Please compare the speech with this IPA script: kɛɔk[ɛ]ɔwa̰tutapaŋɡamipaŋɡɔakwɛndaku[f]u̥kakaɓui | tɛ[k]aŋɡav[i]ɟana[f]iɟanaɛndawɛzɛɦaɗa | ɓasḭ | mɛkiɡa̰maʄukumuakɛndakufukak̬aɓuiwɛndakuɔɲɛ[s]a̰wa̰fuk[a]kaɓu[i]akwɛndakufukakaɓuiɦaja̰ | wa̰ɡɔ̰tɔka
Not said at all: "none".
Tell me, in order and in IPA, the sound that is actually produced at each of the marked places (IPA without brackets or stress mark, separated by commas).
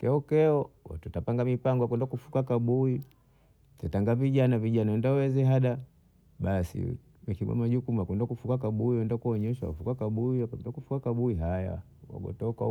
ɛ, f, t, i, v, ʃ, a, i